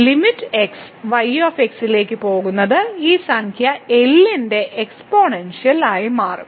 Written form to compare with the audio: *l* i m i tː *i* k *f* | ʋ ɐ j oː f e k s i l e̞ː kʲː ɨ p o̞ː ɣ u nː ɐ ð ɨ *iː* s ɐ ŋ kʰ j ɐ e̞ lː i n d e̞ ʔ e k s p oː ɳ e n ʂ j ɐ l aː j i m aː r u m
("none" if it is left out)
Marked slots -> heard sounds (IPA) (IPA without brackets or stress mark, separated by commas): l, e, s, iː